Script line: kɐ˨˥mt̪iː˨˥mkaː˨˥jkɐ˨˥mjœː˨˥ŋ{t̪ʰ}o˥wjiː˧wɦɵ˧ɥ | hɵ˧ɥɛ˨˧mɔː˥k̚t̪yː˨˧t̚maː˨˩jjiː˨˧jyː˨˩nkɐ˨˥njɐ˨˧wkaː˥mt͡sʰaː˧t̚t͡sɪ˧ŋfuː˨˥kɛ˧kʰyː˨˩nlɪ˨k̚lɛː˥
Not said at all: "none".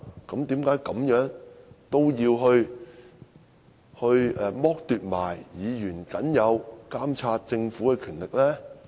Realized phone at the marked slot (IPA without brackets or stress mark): t̪